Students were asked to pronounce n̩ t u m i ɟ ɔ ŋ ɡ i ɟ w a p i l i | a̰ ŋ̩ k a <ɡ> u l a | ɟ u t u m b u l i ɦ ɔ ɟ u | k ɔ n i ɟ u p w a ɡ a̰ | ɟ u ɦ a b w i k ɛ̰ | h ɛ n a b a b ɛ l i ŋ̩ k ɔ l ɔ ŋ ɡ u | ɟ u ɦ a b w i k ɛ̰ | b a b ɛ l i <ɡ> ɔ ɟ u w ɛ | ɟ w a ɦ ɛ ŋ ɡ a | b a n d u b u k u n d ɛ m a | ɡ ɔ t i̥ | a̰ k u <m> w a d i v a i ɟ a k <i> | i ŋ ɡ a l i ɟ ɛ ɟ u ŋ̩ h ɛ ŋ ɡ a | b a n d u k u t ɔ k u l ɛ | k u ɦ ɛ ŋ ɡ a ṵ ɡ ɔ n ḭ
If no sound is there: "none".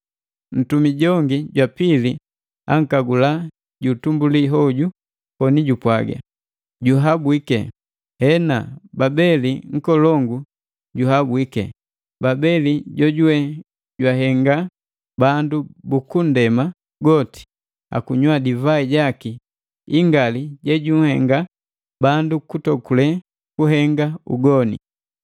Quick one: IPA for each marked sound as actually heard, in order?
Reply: ɡ, ɟ, ɲ, i

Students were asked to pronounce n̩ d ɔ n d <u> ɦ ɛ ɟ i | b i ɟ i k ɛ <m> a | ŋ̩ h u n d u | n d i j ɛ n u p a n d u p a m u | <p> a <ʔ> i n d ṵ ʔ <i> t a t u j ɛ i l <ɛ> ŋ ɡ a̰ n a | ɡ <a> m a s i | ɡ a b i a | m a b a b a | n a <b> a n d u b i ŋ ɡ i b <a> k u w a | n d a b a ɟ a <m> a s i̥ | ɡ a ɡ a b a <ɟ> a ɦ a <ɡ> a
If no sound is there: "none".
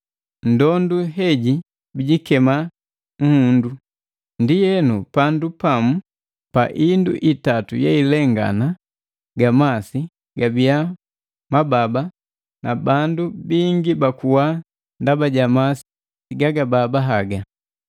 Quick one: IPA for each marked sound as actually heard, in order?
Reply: u, m, p, ʔ, i, ɛ, a, b, a, m, b, ɡ

